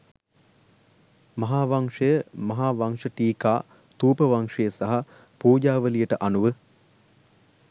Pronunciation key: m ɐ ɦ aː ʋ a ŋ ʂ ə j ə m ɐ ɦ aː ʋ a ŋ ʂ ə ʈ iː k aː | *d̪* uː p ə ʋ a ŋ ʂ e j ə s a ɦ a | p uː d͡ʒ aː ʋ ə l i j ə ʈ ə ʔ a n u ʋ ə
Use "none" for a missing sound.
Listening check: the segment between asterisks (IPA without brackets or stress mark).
t̪